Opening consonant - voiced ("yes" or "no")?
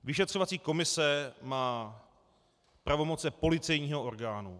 yes